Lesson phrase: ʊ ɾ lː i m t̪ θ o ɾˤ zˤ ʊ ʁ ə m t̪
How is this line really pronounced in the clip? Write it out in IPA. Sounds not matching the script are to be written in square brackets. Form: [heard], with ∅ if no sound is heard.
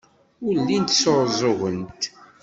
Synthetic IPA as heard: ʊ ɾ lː i [n] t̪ [s] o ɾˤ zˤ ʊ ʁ ə [n] t̪